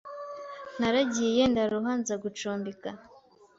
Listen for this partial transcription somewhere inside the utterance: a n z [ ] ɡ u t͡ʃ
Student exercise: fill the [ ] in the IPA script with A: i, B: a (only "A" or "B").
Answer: B